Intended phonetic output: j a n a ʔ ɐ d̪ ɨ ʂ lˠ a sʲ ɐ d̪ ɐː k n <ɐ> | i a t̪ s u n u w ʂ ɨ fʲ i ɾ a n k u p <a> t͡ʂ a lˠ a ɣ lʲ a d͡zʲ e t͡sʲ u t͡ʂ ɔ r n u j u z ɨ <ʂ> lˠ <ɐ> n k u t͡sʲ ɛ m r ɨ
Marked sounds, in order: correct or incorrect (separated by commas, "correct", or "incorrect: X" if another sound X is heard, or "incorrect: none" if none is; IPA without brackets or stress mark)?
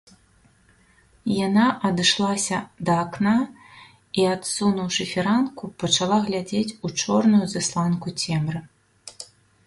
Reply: incorrect: a, incorrect: ɐ, incorrect: s, incorrect: a